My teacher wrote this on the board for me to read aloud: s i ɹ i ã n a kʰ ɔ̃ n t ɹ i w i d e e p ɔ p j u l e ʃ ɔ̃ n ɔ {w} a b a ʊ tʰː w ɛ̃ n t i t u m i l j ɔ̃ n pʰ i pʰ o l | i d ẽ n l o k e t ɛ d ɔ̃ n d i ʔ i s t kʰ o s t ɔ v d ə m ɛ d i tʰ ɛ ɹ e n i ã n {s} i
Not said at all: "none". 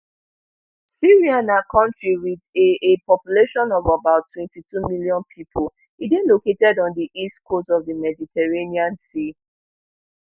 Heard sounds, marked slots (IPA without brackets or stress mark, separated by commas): v, s